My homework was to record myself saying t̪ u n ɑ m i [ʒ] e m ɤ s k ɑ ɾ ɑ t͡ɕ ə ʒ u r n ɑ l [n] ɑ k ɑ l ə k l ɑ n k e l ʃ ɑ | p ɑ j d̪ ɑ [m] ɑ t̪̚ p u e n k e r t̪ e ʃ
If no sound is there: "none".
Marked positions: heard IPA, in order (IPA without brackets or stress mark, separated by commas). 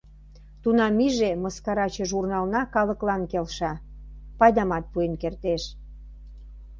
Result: ʒ, n, m